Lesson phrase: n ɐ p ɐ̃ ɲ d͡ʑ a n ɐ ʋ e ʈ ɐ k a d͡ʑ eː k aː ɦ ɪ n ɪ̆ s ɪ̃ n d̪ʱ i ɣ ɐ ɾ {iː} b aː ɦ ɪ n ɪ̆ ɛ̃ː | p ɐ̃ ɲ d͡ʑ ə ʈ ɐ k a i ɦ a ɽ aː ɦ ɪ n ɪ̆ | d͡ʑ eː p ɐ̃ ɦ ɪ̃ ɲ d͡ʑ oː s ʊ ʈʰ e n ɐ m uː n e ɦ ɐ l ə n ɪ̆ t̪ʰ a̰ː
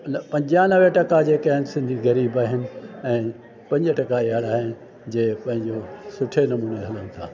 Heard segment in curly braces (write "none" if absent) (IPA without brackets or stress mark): iː